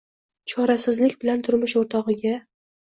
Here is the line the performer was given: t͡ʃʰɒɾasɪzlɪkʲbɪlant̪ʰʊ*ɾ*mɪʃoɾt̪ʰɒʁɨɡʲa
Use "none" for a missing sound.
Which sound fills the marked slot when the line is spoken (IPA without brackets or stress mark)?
ɾ